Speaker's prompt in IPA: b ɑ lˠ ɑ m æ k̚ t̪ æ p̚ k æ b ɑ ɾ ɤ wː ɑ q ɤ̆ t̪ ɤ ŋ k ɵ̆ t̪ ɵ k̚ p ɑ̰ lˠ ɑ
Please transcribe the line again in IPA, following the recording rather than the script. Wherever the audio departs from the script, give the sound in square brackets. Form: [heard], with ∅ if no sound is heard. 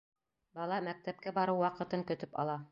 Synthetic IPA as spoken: b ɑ lˠ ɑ m æ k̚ t̪ æ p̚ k æ b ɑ ɾ ɤ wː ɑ q ɤ̆ t̪ ɤ ŋ k ɵ̆ t̪ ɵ [∅] p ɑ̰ lˠ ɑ